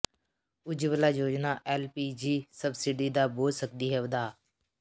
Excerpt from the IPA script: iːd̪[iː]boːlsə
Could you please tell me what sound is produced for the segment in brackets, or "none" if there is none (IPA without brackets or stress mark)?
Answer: aː